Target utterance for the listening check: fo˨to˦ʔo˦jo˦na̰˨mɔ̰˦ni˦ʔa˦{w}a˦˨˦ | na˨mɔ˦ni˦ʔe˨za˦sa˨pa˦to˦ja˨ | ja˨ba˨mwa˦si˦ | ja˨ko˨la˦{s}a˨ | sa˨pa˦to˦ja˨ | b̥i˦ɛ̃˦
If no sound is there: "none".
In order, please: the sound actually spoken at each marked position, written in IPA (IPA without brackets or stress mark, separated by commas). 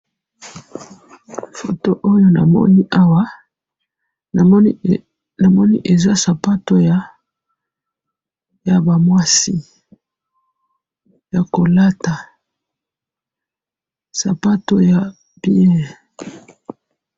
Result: w, t